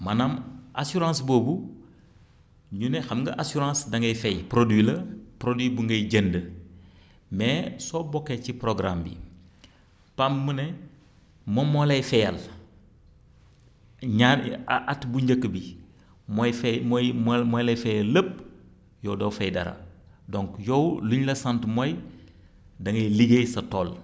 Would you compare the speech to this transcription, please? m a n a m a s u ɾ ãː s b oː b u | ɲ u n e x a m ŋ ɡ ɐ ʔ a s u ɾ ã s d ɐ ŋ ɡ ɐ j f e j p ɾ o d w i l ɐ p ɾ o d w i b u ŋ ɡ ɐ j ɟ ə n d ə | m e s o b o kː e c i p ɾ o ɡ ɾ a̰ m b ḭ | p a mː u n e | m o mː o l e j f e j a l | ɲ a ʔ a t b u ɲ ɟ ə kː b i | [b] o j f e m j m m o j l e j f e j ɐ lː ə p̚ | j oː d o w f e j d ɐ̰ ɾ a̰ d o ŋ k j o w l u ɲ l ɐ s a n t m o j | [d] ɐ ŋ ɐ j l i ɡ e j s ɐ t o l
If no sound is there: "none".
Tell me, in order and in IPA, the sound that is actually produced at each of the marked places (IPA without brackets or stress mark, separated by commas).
m, d